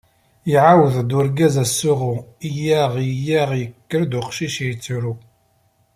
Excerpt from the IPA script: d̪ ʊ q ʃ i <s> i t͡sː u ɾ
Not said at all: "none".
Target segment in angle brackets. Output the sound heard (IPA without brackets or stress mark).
ʃ